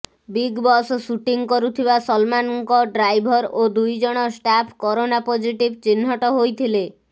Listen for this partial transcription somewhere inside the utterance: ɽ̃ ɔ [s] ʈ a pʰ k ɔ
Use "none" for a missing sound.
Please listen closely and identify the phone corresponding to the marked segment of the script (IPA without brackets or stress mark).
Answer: s